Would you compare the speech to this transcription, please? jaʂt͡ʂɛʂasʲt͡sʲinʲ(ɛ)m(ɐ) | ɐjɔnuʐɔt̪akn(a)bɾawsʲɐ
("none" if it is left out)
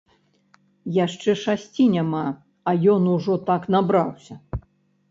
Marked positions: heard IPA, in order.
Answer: a, a, a

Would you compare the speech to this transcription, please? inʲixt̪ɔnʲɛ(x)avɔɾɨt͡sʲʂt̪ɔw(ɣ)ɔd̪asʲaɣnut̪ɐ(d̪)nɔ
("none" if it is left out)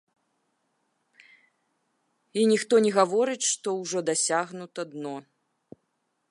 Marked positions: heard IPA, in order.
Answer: ɣ, ʐ, d̪

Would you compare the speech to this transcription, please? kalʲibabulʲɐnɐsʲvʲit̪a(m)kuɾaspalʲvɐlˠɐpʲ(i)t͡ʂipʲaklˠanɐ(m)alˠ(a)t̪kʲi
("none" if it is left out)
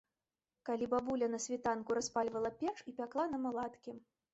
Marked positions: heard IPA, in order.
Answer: n, ɛ, m, a

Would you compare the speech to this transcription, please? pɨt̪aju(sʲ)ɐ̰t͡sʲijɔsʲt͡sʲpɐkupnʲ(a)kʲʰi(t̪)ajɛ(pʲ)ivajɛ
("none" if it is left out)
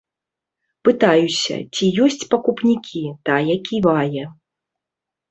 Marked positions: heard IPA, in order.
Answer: sʲ, i, t̪, kʲ

